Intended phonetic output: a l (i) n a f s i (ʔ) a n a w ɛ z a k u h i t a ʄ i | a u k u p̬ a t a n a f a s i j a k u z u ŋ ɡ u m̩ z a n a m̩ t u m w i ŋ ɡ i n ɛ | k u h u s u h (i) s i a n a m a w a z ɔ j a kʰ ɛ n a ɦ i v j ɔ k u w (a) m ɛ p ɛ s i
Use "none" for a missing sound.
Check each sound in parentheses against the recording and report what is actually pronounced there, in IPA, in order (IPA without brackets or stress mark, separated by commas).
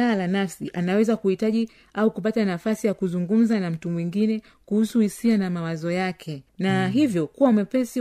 a, ʔ, i, a